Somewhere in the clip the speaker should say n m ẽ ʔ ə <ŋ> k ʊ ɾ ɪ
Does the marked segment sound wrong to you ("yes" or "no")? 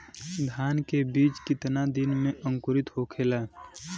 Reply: no